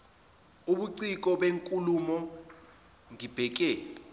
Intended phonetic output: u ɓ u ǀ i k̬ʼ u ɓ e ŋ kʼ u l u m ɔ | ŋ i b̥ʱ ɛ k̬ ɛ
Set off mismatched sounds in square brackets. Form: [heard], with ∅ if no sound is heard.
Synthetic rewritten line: u ɓ u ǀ i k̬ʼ [ɔ] ɓ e ŋ kʼ u l u m ɔ | ŋ i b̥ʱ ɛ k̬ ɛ